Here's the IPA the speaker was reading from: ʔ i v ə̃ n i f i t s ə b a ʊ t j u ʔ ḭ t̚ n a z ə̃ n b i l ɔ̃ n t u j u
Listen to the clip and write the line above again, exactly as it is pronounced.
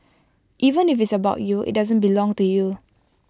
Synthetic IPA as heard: ʔ i v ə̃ n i f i t s ə b a ʊ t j u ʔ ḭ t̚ d a z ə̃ n b i l ɔ̃ ŋ t u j u